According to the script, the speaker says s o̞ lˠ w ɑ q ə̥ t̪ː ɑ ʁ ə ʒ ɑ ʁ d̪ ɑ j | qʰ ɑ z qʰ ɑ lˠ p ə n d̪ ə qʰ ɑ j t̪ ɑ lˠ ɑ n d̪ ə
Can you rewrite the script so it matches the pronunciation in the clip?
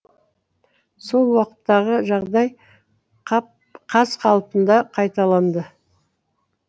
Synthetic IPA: s o̞ lˠ w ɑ q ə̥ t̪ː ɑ ʁ ə ʒ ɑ ʁ d̪ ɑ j | qʰ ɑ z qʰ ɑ lˠ p ə n d̪ ɑ qʰ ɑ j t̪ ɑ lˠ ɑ n d̪ ə